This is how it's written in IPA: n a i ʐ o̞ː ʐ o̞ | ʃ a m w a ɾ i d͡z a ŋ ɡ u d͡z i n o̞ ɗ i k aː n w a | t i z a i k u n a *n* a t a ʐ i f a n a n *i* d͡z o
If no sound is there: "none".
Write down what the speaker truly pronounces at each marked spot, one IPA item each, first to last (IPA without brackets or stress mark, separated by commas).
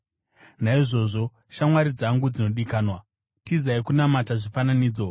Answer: m, iː